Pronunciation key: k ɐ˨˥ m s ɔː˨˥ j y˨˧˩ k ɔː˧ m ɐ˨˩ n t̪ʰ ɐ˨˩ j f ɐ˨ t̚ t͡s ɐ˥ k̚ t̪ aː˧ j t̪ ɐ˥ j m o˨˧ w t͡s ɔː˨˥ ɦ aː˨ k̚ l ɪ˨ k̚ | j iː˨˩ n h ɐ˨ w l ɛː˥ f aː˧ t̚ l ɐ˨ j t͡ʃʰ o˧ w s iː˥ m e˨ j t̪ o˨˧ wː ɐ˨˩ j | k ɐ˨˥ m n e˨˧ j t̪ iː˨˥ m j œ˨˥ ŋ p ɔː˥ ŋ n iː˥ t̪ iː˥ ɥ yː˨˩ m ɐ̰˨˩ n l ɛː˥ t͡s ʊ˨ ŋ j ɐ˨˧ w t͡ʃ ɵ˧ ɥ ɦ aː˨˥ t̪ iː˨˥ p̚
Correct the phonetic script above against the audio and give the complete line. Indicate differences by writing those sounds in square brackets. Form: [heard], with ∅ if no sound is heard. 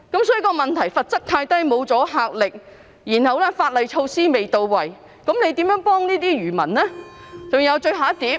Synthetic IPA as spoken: k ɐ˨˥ m s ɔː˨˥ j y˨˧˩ k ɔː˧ m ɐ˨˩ n t̪ʰ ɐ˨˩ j f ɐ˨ t̚ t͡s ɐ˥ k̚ [t̪ʰ] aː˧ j t̪ ɐ˥ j m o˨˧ w t͡s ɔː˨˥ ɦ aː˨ k̚ l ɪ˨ k̚ | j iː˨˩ n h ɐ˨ w l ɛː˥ f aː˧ t̚ l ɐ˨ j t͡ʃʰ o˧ w s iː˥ m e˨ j t̪ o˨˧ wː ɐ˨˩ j | k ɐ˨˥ m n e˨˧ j t̪ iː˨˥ m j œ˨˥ ŋ p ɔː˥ ŋ n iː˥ t̪ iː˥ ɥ yː˨˩ m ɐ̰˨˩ n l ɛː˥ t͡s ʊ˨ ŋ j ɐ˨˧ w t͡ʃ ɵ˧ ɥ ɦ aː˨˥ t̪ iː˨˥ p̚